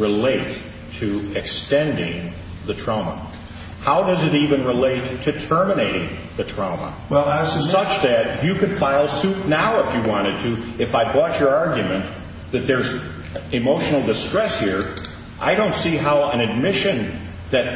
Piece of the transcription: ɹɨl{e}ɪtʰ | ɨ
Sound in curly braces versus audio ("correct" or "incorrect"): correct